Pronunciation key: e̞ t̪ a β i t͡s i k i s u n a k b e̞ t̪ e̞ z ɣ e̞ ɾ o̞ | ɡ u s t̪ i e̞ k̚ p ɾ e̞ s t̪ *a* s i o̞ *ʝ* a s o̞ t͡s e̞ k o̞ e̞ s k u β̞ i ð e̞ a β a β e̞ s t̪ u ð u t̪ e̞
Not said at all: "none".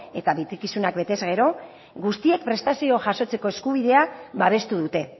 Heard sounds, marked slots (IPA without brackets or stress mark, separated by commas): a, ʝ